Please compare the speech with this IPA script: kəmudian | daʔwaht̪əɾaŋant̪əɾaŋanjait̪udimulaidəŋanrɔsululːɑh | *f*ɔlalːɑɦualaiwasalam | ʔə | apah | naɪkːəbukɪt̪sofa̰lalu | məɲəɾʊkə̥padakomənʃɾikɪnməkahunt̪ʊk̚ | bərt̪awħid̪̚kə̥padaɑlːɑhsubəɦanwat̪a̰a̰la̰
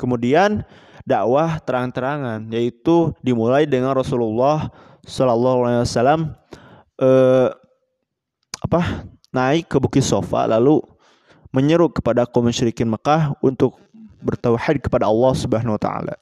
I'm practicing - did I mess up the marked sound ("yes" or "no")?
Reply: yes